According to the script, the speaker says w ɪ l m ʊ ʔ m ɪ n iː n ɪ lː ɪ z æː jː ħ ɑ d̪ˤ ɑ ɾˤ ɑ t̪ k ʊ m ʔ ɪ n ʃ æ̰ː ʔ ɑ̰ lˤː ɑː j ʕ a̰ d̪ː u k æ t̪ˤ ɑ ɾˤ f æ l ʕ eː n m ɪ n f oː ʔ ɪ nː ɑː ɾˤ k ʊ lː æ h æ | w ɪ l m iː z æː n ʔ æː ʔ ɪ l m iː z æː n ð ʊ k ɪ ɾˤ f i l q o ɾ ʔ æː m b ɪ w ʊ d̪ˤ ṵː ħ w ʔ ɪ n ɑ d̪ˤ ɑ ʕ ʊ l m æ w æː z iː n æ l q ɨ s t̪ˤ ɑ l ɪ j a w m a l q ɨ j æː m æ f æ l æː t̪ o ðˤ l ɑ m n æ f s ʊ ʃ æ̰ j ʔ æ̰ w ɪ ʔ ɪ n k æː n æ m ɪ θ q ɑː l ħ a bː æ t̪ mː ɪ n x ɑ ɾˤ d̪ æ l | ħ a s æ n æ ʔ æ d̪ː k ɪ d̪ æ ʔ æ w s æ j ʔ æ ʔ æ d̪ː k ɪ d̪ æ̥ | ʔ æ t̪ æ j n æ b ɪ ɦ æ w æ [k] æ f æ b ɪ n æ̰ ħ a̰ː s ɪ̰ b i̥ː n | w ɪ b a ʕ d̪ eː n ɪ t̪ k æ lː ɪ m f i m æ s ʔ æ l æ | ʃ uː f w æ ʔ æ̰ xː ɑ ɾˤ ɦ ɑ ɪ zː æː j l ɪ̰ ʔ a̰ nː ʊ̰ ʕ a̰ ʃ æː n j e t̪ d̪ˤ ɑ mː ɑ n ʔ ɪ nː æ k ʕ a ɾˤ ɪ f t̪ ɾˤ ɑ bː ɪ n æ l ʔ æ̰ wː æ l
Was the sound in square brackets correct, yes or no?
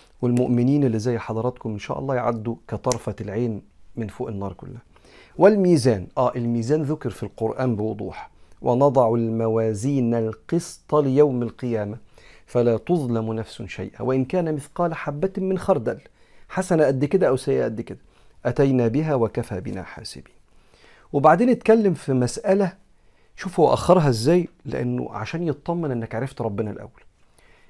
yes